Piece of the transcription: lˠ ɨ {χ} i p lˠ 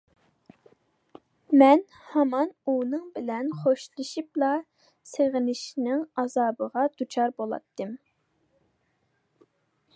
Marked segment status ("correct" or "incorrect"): incorrect